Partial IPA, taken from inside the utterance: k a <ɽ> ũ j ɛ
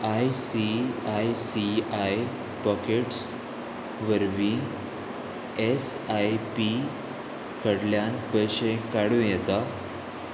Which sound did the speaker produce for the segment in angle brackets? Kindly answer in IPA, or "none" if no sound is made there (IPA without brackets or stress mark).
ɽ